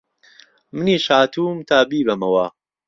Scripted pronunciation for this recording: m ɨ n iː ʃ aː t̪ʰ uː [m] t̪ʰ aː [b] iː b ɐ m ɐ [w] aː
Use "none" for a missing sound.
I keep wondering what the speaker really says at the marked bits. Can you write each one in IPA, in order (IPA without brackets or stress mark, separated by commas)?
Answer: m, b, w